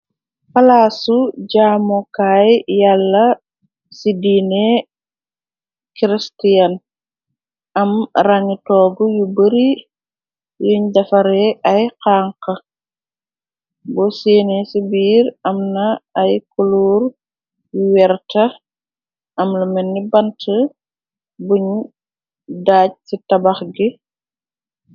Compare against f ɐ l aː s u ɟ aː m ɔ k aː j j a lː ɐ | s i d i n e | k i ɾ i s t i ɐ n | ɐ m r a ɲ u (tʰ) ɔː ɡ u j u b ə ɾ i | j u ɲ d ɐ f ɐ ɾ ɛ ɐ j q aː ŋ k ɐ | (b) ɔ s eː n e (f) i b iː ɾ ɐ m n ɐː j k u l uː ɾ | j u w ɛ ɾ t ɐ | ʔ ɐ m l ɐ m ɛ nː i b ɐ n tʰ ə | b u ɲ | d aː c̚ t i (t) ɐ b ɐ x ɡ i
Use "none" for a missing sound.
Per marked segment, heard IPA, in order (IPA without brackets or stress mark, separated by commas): t, b, s, t